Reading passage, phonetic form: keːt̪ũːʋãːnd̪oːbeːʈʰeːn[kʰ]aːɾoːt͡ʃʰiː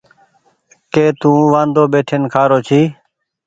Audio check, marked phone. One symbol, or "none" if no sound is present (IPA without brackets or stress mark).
kʰ